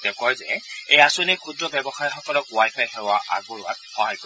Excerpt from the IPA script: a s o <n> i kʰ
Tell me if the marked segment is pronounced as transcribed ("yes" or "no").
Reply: yes